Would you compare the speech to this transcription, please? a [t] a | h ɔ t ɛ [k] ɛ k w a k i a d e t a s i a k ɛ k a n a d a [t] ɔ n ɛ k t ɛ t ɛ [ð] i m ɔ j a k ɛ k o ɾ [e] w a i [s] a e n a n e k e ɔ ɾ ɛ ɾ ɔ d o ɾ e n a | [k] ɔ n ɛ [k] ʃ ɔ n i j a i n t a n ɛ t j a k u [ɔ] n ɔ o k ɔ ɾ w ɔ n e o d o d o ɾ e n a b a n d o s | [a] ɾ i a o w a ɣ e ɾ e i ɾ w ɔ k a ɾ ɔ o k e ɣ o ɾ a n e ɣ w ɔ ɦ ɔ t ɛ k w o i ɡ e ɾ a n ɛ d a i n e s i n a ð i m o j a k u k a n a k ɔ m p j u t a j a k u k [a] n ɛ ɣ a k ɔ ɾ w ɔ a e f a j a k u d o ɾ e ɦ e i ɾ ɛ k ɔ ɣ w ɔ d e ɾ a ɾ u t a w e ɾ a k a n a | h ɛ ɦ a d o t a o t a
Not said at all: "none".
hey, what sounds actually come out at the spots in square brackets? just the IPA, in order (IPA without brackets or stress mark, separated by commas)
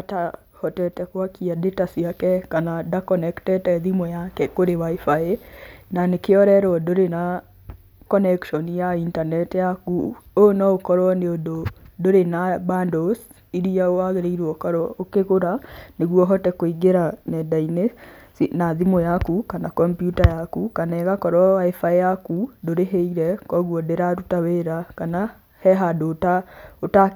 t, t, k, ð, e, f, k, k, o, i, a